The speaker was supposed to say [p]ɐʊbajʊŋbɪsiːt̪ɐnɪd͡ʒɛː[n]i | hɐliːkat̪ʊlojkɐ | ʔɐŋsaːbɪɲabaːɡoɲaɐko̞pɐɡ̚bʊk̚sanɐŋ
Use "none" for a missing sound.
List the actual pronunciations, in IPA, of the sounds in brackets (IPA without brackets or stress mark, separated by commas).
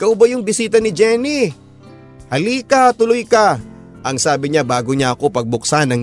k, n